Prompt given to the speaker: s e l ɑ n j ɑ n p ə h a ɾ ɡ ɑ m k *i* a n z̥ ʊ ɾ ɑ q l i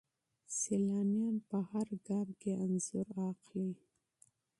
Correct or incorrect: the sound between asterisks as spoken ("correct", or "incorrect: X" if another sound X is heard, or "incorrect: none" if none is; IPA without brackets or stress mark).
incorrect: e